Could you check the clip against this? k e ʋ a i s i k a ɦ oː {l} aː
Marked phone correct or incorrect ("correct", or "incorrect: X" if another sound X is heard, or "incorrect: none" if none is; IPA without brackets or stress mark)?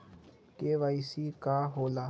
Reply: correct